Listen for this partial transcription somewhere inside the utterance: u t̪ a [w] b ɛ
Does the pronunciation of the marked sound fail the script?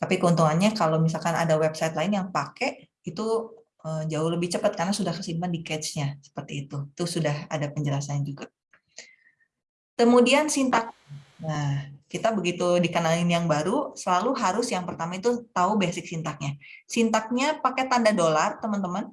yes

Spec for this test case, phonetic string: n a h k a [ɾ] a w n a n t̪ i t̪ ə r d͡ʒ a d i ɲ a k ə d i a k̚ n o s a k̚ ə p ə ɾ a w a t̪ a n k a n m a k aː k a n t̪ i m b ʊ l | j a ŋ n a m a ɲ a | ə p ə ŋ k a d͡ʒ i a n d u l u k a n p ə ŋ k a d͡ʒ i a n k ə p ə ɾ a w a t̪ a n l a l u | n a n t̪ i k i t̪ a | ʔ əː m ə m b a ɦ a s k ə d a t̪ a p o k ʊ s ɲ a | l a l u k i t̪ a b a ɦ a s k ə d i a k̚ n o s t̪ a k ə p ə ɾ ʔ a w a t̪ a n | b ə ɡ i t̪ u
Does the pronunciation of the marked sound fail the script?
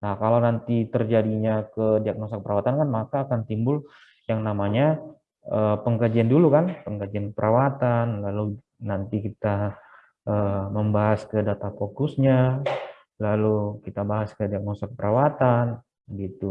yes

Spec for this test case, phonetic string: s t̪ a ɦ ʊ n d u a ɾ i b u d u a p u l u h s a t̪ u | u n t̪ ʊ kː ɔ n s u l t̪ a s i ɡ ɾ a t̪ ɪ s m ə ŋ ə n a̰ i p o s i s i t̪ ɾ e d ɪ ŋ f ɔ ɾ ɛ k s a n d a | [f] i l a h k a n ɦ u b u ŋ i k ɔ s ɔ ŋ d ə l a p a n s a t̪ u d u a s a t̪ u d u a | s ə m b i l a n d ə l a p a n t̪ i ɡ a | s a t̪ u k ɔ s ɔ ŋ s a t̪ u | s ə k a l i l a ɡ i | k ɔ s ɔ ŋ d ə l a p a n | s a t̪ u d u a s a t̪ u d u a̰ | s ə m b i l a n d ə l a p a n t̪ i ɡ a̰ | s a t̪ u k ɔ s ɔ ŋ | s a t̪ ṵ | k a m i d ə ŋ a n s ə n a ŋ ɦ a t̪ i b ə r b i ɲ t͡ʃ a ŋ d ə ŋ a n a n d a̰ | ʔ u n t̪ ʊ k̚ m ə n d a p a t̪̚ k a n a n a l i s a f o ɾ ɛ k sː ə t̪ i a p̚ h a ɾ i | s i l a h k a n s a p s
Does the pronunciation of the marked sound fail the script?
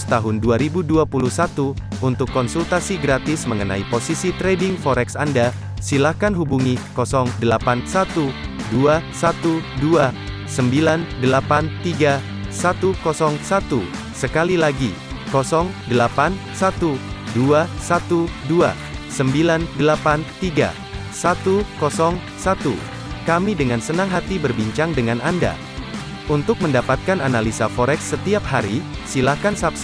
yes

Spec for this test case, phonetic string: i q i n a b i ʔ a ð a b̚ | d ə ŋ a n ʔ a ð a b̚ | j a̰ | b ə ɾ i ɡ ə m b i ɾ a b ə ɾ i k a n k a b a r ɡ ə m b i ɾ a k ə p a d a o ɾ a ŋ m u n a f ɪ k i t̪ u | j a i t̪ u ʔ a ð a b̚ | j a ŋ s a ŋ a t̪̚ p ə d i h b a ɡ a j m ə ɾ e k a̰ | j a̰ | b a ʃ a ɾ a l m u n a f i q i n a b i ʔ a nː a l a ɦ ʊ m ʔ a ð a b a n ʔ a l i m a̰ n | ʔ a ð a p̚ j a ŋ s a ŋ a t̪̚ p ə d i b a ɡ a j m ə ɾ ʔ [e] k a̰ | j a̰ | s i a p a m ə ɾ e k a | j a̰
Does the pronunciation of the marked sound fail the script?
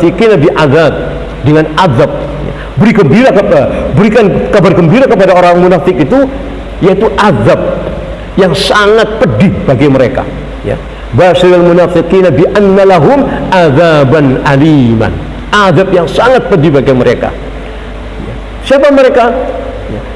no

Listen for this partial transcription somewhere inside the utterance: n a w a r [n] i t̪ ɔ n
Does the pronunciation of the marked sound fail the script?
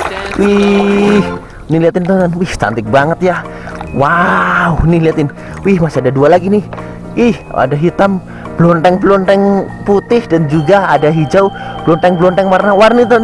no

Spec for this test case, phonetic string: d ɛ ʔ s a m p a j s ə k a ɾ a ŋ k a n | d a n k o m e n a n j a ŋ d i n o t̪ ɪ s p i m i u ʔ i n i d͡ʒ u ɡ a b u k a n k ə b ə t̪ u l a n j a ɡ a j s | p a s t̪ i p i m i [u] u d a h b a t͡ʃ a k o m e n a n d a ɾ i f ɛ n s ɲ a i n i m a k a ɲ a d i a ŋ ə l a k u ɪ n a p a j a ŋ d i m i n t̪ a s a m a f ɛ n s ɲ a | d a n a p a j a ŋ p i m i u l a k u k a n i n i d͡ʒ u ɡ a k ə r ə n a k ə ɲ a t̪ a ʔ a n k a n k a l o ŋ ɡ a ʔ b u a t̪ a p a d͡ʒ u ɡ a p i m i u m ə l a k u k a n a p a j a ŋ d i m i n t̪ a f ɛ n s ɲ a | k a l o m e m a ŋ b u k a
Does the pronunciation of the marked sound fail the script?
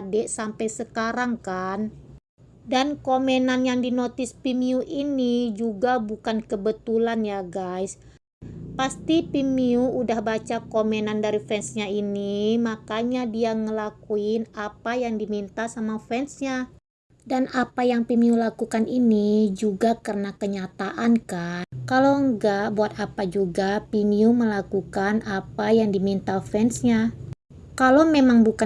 no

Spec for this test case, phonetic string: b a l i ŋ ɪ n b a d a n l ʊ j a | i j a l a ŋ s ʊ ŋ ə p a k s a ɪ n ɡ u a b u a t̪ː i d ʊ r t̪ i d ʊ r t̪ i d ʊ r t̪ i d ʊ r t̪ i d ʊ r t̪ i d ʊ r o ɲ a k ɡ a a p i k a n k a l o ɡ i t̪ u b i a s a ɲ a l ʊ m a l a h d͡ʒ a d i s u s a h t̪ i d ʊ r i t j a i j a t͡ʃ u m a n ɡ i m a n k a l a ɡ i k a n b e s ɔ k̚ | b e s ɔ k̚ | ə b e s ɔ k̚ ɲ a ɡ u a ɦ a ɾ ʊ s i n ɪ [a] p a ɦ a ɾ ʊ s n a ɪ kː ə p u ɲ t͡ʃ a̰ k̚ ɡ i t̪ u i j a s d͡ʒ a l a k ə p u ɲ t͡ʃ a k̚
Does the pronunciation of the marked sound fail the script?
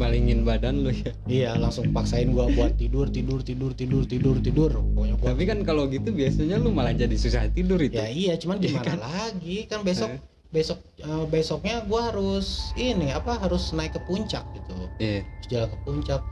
no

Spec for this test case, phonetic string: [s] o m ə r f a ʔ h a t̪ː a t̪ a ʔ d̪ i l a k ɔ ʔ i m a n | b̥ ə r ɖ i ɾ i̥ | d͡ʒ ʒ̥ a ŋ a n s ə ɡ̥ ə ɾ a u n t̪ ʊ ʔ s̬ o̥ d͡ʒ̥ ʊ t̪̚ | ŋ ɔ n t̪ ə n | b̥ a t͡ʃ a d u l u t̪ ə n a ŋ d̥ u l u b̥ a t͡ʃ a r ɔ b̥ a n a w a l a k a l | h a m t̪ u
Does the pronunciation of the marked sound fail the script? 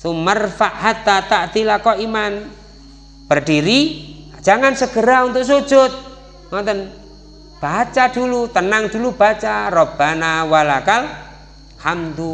no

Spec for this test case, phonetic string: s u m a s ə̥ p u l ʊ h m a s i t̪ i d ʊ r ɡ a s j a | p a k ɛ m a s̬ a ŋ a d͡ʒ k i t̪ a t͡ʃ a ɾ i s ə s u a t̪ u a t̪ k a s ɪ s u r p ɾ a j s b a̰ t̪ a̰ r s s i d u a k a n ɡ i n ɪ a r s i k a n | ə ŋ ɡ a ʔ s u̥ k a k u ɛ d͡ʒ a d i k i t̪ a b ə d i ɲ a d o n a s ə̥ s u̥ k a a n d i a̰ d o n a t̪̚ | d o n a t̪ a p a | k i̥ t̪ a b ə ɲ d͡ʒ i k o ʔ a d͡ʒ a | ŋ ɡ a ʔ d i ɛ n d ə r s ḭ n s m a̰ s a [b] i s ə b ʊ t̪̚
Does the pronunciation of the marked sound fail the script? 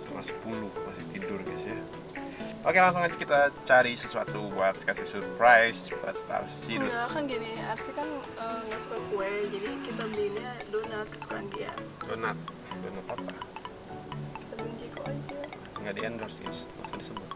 yes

